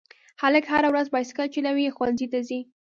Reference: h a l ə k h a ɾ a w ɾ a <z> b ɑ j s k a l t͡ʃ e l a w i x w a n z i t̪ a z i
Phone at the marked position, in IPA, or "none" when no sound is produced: z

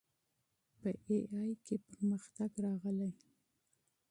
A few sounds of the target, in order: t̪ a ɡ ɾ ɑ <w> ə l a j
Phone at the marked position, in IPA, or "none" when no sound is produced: ɣ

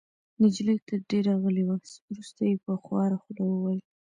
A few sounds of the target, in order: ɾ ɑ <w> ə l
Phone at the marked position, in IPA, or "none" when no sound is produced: ɣ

